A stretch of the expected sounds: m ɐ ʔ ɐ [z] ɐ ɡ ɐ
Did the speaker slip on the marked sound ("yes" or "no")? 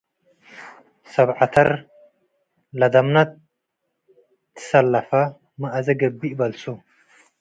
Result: no